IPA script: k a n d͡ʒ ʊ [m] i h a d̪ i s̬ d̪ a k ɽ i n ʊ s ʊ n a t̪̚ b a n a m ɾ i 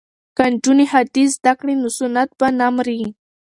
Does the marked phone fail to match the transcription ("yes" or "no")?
yes